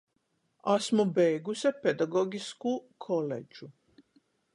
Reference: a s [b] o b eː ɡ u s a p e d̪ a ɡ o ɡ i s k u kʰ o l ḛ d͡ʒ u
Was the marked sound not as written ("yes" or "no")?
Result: yes